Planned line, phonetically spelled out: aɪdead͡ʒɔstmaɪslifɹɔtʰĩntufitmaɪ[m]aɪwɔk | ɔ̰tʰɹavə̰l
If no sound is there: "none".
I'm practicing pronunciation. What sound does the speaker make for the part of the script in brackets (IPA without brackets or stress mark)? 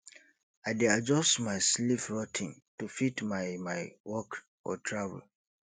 m